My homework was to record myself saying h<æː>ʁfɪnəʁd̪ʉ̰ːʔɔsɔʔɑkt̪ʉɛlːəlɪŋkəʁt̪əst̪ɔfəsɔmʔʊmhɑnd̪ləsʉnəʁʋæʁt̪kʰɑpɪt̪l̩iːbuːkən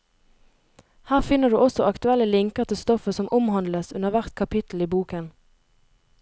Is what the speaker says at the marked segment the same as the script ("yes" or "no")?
yes